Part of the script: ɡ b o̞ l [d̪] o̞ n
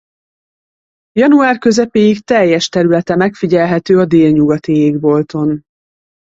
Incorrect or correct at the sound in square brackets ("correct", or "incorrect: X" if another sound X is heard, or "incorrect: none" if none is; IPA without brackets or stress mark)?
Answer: incorrect: t̪